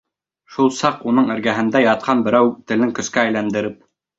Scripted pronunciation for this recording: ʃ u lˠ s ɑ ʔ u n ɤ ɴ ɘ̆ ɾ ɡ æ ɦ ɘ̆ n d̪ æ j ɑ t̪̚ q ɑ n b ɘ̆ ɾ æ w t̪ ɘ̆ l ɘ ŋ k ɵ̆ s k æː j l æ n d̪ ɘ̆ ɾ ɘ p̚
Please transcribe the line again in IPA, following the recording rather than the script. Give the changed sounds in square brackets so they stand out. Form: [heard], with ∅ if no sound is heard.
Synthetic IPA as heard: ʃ u lˠ s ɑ [q] u n ɤ ɴ ɘ̆ ɾ ɡ æ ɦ ɘ̆ n d̪ æ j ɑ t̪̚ q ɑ n b ɘ̆ ɾ æ w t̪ ɘ̆ l ɘ ŋ k ɵ̆ s k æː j l æ n d̪ ɘ̆ ɾ ɘ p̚